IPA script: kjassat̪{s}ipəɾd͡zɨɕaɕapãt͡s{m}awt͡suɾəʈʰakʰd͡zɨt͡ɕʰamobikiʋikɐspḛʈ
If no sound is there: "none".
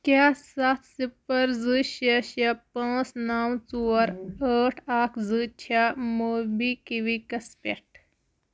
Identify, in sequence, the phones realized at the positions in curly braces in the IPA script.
s, n

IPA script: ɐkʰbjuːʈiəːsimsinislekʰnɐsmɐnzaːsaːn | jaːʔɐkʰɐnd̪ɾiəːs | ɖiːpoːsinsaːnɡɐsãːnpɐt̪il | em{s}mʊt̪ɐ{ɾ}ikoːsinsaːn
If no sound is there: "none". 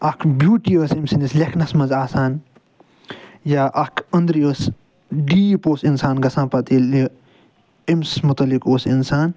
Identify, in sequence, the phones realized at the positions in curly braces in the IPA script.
s, l

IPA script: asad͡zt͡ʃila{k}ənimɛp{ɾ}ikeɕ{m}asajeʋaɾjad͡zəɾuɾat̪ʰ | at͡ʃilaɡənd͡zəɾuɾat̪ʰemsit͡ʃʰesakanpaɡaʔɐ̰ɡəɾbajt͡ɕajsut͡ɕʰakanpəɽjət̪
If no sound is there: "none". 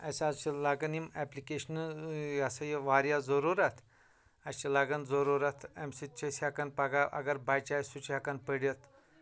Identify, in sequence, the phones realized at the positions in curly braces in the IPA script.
ɡ, l, n

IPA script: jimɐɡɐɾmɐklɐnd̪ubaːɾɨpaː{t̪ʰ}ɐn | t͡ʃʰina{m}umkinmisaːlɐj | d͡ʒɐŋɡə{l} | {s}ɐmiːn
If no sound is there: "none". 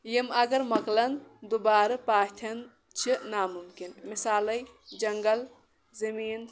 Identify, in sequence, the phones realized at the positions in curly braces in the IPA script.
t̪ʰ, m, l, z

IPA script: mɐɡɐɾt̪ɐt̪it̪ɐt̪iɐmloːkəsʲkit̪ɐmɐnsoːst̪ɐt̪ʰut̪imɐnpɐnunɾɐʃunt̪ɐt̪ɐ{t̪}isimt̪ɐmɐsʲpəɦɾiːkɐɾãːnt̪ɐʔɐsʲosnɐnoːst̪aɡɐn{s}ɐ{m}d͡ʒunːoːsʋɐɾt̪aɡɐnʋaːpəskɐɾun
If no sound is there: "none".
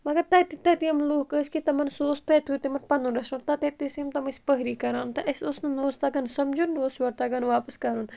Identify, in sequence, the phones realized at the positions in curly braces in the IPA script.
t̪, s, m

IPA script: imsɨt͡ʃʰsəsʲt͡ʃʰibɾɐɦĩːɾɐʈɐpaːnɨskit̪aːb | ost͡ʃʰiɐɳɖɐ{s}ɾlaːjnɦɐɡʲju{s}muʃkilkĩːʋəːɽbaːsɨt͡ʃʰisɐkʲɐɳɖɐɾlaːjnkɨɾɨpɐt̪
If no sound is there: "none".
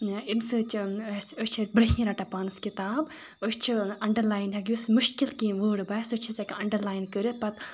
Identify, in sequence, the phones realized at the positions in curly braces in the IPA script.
none, s

